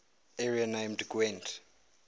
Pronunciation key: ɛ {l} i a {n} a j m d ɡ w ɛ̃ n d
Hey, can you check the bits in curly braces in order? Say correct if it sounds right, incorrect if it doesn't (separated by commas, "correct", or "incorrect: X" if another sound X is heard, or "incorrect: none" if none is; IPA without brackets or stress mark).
incorrect: ɹ, correct